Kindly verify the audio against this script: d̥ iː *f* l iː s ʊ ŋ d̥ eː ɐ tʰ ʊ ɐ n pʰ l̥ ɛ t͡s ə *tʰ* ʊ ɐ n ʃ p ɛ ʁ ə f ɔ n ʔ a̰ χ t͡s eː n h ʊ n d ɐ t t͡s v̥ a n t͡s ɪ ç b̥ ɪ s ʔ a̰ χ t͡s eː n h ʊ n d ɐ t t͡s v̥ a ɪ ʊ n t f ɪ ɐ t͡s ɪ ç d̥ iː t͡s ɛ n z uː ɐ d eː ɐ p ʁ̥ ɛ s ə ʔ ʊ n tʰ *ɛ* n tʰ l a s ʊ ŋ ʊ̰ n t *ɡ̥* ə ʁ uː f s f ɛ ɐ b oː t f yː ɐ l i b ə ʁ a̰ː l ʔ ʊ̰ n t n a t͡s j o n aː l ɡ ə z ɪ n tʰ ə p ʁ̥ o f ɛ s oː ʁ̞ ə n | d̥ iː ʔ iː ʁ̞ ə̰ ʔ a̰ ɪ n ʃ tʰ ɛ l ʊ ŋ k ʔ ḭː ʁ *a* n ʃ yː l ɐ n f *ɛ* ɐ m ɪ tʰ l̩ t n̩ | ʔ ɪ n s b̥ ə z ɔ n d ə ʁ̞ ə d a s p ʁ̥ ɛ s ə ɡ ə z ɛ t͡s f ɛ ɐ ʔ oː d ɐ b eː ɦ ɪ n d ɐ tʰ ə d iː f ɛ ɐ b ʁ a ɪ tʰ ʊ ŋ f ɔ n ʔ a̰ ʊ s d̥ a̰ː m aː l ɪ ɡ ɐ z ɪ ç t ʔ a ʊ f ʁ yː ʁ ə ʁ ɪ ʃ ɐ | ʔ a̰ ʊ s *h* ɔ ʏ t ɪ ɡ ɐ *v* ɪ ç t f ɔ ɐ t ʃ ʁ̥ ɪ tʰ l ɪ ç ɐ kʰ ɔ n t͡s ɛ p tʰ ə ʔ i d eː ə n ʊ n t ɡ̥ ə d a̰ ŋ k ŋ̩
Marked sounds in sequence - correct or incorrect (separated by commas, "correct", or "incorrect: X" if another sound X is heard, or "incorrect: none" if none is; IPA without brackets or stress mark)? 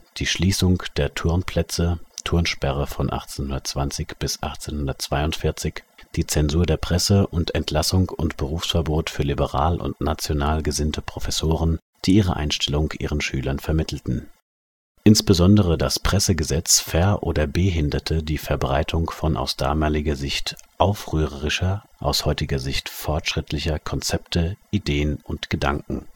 incorrect: ʃ, correct, correct, incorrect: b̥, incorrect: ə, correct, correct, incorrect: z